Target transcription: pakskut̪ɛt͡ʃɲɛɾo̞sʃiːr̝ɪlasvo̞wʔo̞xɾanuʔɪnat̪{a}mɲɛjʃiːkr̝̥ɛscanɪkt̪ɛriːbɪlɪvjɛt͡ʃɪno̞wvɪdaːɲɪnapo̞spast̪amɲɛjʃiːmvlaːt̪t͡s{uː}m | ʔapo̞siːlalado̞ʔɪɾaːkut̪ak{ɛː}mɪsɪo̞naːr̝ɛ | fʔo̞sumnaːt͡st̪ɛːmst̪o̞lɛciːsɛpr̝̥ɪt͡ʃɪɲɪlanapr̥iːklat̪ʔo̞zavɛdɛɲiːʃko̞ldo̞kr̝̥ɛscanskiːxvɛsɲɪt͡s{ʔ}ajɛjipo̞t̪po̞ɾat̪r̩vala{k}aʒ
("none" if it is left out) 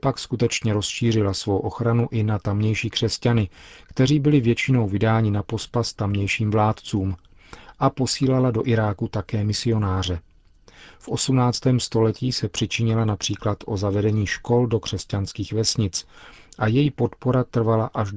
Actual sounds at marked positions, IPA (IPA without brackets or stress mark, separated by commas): a, uː, ɛː, ʔ, ʔ